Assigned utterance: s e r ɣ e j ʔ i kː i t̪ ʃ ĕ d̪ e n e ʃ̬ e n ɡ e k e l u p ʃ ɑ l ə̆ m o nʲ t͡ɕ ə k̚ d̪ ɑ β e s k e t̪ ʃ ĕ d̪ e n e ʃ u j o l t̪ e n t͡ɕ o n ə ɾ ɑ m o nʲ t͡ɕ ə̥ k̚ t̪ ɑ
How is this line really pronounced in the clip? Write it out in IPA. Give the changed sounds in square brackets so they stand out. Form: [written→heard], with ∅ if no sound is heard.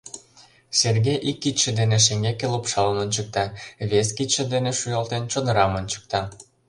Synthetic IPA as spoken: s e r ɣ e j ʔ i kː i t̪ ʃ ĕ d̪ e n e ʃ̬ e [n→ŋ] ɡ e k e l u p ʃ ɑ l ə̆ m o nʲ t͡ɕ ə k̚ [d̪→t̪] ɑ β e s k [e→i] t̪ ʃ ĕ d̪ e n e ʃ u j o l t̪ e n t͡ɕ o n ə ɾ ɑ m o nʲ t͡ɕ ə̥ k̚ t̪ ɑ

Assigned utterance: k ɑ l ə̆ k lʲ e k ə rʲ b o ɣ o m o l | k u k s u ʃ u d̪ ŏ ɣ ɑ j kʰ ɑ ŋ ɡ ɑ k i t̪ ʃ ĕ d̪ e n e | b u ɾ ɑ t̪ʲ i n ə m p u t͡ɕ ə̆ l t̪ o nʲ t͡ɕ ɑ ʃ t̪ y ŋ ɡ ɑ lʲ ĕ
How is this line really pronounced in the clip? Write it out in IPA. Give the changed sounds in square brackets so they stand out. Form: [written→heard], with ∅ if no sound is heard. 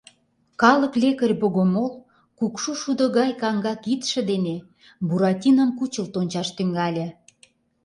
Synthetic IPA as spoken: k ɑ l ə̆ k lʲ e k ə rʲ b o ɣ o m o l | k u k [s→ʃ] u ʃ u d̪ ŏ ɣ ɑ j [kʰ→k] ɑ ŋ ɡ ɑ k i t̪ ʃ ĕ d̪ e n e | b u ɾ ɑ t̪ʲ i n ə m [p→k] u t͡ɕ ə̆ l t̪ o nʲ t͡ɕ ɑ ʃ t̪ y ŋ ɡ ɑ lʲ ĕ

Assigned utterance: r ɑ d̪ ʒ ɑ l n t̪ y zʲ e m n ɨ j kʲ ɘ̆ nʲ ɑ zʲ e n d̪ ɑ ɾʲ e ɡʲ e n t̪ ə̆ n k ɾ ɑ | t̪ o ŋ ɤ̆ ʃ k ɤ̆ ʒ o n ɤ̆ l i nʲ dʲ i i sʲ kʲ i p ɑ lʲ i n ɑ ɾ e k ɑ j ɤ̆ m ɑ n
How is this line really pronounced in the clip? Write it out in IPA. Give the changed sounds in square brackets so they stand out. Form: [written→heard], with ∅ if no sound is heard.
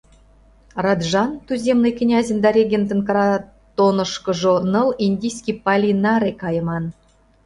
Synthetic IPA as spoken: r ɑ d̪ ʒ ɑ [l→∅] n t̪ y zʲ e m n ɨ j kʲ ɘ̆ nʲ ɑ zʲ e n d̪ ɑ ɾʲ e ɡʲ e n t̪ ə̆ n k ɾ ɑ | t̪ o [ŋ→n] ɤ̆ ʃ k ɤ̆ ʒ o n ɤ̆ l i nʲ dʲ i [i→j] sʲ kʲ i p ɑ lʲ i n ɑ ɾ e k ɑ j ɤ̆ m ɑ n

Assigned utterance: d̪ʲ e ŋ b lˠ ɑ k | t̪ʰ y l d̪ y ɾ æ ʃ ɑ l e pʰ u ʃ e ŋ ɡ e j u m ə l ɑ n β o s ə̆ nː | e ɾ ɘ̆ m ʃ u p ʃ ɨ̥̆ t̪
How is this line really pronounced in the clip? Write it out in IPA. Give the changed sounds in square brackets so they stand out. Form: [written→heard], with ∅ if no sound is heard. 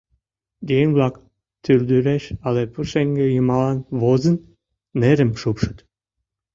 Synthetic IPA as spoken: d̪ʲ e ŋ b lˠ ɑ k | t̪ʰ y l d̪ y ɾ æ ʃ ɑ l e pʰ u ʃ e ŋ ɡ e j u m [ə→ɑ] l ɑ n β o [s→z] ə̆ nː | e ɾ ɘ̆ m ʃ u p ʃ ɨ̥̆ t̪

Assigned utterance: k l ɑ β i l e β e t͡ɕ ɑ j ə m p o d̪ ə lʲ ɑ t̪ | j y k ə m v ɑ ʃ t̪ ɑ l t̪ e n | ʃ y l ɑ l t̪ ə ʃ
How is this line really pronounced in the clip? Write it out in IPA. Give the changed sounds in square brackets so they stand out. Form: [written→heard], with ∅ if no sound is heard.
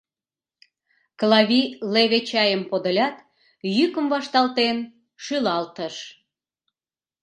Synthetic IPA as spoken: k l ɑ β i l e β e t͡ɕ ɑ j ə m p o d̪ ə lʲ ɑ t̪ | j y k ə m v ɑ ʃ t̪ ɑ l t̪ e n | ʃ y l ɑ l t̪ ə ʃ

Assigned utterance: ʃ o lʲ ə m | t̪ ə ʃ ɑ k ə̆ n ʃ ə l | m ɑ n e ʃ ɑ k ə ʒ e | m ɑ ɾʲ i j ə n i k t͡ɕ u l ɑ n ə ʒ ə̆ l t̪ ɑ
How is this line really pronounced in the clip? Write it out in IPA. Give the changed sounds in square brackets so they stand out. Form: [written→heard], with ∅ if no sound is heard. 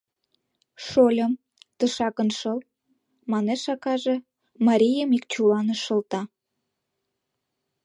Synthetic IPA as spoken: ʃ o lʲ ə m | t̪ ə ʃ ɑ k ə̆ n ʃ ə l | m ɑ n e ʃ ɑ k [ə→ɑ] ʒ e | m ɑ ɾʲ i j ə [n→m] i k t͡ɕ u l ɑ n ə [ʒ→ʃ] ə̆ l t̪ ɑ

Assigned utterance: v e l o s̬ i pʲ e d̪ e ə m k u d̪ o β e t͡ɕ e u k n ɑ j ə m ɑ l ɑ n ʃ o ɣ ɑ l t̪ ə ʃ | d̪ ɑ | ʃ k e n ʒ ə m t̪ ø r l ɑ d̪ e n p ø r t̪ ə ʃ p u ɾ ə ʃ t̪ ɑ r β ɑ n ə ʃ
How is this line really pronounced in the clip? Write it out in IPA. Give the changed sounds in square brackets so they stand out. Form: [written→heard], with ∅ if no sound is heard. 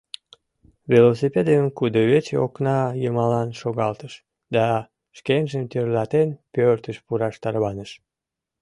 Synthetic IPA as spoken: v e l o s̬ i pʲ e d̪ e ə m k u d̪ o β e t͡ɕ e [u→o] k n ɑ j ə m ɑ l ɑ n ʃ o ɣ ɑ l t̪ ə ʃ | d̪ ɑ | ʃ k e n ʒ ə m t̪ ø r l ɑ [d̪→t̪] e n p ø r t̪ ə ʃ p u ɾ [ə→ɑ] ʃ t̪ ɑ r β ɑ n ə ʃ

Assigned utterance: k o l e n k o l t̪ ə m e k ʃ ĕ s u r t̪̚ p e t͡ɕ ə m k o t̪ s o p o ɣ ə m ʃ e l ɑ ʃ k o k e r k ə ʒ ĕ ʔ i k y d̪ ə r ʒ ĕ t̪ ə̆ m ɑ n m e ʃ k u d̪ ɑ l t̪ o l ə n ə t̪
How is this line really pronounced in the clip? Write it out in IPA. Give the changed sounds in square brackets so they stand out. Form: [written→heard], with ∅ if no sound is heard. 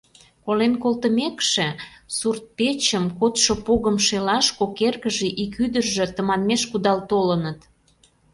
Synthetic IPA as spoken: k o l e n k o l t̪ ə m e k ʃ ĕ s u r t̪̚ p e t͡ɕ ə m k o t̪ [s→ʃ] o p o ɣ ə m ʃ e l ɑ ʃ k o k e r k ə ʒ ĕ ʔ i k y d̪ ə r ʒ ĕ t̪ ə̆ m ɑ n m e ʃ k u d̪ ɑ l t̪ o l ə n ə t̪

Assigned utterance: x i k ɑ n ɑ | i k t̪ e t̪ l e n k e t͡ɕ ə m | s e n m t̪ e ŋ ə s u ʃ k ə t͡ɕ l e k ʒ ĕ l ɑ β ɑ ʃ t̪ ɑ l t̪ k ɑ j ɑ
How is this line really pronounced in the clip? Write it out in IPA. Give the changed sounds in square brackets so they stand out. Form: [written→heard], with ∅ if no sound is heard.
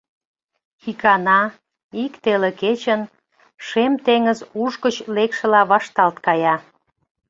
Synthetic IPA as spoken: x i k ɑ n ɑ | i k t̪ e [t̪→∅] l e [n→∅] k e t͡ɕ ə [m→n] | [s→ʃ] e [n→∅] m t̪ e ŋ ə [s→z] u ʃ k ə t͡ɕ l e k [ʒ→ʃ] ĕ l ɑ β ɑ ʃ t̪ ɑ l t̪ k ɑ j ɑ

